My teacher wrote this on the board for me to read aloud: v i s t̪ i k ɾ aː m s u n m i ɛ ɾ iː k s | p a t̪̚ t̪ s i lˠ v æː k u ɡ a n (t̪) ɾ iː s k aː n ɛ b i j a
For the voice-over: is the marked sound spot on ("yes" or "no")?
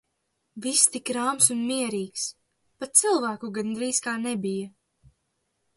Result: no